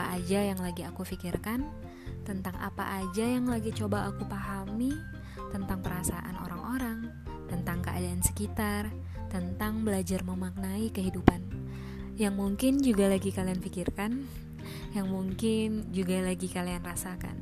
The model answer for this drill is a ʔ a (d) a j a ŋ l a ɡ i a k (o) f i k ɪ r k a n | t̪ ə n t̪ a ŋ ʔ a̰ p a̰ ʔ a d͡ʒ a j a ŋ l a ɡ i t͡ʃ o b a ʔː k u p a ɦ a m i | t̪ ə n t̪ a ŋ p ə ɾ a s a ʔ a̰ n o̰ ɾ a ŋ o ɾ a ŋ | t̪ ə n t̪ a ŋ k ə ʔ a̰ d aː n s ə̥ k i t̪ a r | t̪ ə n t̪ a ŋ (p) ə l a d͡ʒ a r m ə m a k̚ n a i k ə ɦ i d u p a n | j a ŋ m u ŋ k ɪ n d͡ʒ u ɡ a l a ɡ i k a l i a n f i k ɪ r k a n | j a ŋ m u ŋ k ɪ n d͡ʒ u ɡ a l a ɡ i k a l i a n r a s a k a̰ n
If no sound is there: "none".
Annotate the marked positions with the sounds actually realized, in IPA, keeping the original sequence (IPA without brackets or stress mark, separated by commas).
d͡ʒ, u, b